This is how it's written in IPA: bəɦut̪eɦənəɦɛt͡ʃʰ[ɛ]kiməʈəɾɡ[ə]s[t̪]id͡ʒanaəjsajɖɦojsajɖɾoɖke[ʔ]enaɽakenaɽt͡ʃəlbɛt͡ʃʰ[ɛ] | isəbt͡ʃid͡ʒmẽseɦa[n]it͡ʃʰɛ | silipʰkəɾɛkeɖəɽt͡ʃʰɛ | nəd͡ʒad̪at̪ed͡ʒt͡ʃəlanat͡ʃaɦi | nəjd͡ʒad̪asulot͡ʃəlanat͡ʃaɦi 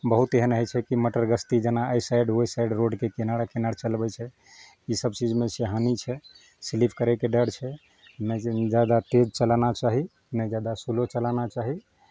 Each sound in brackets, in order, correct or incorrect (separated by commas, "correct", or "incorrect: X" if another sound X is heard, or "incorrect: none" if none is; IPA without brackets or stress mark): correct, correct, correct, incorrect: k, correct, correct